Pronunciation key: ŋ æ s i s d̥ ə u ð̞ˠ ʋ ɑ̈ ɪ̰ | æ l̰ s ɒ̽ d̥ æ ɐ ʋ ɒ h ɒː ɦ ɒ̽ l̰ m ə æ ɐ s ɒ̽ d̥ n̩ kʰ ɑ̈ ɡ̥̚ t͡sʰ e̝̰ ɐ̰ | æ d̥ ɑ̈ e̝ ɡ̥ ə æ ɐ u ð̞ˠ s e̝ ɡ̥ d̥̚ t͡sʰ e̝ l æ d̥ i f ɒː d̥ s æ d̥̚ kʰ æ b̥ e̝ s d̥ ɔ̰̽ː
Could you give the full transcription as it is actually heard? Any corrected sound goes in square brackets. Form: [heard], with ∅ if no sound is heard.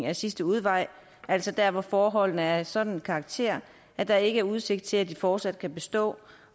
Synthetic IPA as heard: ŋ æ s i s d̥ ə u ð̞ˠ ʋ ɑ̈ ɪ̰ | æ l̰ s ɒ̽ d̥ æ ɐ ʋ ɒ [f] ɒː ɦ ɒ̽ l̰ [n] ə æ ɐ s ɒ̽ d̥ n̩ kʰ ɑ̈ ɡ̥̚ t͡sʰ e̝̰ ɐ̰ | æ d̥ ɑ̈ e̝ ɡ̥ ə æ ɐ u ð̞ˠ s e̝ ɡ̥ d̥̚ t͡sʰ e̝ l æ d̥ i f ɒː d̥ s æ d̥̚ kʰ æ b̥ e̝ s d̥ ɔ̰̽ː